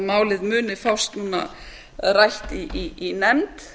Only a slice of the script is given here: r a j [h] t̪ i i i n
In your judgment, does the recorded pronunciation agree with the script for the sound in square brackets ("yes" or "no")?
yes